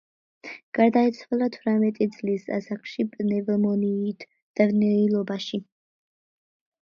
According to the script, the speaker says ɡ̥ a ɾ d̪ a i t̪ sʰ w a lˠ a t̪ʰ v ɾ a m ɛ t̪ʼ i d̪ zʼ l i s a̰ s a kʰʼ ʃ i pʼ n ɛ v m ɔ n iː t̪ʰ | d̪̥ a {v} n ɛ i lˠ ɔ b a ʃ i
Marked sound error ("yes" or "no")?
no